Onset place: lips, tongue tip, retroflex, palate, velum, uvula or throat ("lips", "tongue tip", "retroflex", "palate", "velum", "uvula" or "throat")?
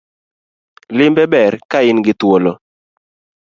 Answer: tongue tip